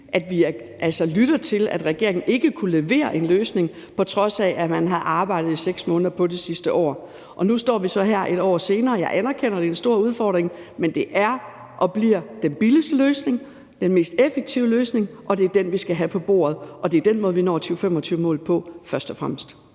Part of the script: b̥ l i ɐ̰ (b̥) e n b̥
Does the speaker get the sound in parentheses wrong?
yes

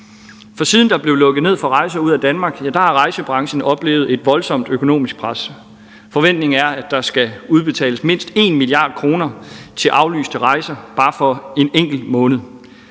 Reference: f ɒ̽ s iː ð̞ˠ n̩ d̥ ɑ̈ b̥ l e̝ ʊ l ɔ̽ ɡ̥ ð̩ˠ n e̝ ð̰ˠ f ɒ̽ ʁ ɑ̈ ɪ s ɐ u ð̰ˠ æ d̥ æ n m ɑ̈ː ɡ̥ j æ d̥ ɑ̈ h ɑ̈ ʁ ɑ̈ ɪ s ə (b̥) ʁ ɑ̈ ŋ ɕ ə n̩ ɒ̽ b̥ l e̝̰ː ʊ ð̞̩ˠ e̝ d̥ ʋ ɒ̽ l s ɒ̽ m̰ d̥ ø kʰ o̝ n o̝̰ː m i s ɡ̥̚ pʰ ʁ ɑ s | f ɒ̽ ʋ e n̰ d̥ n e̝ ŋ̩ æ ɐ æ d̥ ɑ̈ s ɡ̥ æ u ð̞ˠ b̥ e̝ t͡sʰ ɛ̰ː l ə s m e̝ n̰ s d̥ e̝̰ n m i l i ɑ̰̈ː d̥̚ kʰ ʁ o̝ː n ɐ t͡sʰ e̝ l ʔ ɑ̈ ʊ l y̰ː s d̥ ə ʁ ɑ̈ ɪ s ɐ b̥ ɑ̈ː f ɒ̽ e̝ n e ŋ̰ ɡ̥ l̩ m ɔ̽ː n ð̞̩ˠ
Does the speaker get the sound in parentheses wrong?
no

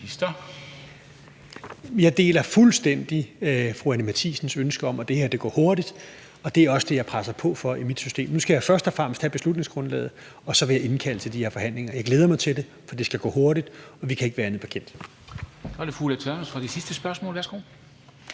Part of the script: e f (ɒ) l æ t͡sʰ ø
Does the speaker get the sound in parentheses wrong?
yes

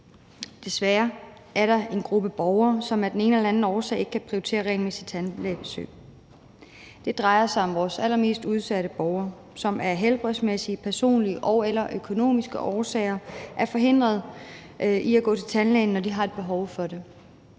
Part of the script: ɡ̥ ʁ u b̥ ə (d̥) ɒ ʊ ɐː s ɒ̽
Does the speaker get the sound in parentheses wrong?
yes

